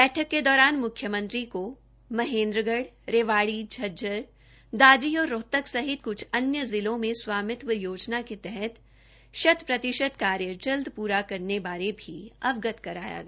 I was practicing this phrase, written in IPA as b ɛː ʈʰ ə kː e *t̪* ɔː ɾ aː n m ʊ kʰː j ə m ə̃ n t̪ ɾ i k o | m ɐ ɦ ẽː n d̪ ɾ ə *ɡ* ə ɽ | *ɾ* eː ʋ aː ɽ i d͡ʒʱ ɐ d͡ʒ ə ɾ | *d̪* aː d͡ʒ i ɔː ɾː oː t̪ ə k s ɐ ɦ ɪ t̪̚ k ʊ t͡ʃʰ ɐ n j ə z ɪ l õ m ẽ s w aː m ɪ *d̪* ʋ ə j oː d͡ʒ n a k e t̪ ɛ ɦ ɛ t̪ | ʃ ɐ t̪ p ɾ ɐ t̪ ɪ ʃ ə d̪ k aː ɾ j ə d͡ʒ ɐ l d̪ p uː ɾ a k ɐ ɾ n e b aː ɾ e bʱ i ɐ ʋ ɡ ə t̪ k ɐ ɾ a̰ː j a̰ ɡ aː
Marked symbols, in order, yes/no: no, yes, yes, yes, no

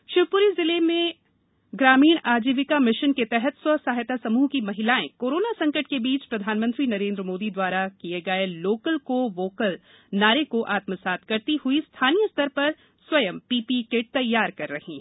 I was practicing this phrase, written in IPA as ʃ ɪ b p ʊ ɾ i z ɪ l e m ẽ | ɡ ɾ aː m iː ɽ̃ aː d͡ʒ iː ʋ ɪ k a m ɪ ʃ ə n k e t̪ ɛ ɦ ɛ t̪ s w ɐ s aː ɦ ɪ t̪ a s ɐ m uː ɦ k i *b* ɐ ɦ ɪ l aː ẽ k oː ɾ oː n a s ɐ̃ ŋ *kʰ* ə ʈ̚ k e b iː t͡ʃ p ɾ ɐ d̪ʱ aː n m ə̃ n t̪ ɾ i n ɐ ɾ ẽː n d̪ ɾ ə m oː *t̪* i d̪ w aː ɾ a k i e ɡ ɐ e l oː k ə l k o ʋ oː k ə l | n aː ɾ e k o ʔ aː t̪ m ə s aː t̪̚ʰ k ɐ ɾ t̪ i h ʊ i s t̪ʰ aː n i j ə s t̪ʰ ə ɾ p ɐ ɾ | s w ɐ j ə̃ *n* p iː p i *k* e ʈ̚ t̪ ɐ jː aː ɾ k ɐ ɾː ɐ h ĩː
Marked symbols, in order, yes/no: no, no, no, no, yes

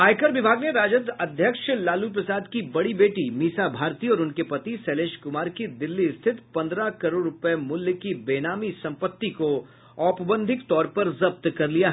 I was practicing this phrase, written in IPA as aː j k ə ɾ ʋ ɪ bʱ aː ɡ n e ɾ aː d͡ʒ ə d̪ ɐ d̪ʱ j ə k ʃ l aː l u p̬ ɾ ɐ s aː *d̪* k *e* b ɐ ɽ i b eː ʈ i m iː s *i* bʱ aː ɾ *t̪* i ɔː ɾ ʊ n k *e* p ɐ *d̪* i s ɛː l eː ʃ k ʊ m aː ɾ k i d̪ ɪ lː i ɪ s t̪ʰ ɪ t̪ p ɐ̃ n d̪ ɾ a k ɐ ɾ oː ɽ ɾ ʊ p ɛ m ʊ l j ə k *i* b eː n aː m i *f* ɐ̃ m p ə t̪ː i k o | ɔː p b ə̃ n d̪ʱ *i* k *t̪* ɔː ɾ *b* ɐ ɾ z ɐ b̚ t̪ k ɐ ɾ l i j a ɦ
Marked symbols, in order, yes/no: yes, no, no, yes, yes, no, yes, no, no, yes, no

